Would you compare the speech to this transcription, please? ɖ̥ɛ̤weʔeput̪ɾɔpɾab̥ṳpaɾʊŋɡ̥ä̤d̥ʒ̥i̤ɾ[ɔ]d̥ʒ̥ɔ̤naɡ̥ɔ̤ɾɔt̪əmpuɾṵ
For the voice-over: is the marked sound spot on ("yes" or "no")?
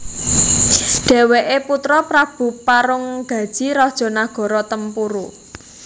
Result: yes